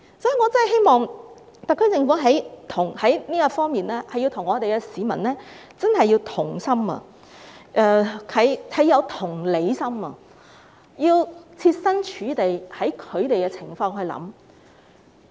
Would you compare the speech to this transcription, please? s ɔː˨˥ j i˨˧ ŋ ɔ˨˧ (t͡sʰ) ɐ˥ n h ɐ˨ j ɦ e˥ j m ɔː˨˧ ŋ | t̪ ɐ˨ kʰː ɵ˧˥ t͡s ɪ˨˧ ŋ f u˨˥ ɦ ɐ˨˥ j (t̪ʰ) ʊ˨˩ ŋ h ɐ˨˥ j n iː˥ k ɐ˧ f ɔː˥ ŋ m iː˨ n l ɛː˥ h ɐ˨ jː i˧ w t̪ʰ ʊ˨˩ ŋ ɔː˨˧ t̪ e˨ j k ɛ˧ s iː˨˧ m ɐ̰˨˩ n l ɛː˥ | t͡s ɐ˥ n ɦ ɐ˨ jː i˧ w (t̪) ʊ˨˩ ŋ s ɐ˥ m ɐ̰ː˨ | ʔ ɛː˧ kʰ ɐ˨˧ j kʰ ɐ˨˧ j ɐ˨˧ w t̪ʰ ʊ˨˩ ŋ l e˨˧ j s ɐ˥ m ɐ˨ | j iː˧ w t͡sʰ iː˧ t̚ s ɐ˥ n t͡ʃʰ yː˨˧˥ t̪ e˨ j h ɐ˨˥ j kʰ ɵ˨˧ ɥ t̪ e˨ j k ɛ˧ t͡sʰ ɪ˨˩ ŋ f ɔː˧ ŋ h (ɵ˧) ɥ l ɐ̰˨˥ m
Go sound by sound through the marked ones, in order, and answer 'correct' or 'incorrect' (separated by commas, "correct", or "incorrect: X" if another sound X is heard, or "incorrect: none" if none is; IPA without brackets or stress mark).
incorrect: t͡s, correct, incorrect: t̪ʰ, correct